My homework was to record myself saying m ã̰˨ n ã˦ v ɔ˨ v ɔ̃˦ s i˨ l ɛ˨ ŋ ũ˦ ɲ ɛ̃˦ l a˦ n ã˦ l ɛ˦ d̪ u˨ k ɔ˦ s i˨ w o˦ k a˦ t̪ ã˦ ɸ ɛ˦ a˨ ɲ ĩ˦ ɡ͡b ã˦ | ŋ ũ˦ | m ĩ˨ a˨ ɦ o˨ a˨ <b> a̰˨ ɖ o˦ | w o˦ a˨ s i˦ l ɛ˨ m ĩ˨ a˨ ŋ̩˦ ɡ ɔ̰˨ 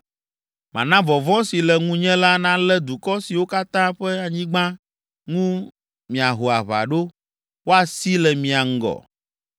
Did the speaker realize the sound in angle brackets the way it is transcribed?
no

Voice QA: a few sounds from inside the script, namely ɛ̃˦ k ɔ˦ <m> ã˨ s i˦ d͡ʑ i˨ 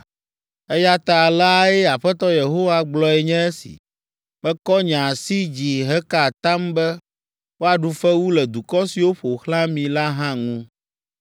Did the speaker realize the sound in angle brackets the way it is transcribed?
no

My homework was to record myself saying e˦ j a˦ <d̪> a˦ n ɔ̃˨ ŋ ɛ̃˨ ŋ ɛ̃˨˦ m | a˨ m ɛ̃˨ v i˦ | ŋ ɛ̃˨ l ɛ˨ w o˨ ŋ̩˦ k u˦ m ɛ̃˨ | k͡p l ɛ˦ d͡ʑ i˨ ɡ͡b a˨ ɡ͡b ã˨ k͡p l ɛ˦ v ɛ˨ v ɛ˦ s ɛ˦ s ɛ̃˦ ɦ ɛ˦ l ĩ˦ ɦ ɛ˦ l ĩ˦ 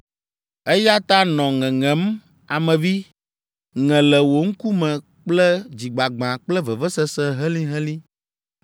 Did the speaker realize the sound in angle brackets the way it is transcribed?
no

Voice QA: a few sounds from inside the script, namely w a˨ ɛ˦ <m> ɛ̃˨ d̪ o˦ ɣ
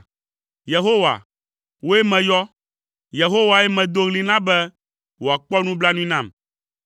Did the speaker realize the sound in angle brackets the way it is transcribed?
yes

